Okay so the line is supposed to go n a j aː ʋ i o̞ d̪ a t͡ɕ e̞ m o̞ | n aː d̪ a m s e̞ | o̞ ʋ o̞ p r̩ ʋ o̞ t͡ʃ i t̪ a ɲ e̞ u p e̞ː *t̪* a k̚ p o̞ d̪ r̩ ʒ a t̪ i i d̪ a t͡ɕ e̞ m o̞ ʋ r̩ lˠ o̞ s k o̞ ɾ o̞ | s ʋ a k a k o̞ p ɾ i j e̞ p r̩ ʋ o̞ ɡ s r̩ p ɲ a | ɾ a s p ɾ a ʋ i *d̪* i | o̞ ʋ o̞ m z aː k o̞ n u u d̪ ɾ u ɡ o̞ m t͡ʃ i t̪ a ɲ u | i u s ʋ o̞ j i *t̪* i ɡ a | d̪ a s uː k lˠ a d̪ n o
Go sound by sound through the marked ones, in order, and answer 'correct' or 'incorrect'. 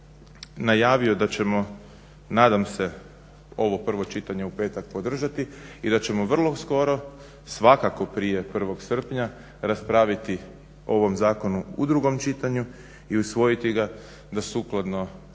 correct, incorrect: t̪, correct

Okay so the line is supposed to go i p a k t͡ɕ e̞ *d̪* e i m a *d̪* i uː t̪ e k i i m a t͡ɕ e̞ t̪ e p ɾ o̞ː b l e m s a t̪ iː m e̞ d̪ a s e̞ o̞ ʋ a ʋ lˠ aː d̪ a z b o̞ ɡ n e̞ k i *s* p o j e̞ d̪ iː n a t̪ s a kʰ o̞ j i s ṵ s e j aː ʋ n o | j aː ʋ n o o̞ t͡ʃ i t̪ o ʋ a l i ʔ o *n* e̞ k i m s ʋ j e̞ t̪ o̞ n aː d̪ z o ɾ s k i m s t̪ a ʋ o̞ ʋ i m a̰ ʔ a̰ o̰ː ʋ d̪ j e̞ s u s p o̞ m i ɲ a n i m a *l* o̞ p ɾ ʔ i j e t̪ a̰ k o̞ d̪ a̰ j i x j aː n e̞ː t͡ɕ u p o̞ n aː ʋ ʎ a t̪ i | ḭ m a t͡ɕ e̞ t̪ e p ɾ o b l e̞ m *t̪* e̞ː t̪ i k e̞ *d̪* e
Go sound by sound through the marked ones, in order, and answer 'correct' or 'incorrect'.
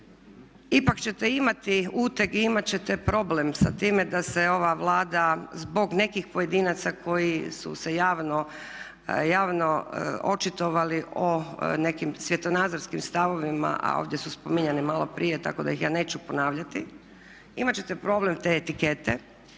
incorrect: t̪, incorrect: t̪, incorrect: x, correct, correct, correct, incorrect: t̪

